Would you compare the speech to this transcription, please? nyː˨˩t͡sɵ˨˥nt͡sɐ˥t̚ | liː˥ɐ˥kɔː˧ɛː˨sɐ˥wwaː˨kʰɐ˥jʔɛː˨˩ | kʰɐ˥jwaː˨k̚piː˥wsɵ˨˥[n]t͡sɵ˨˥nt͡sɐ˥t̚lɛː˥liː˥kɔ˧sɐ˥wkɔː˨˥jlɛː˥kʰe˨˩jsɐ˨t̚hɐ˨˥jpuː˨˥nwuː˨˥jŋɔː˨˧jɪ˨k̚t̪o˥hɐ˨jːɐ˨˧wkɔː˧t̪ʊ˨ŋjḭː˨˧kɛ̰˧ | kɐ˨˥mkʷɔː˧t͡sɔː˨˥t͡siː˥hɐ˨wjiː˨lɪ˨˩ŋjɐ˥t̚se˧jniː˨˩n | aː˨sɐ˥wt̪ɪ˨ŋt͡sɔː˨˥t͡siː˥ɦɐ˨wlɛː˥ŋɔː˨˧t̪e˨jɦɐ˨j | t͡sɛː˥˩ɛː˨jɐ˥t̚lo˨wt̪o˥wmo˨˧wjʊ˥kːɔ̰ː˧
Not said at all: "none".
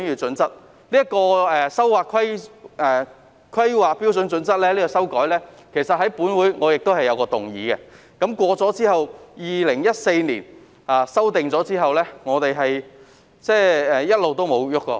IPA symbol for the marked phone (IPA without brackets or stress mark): n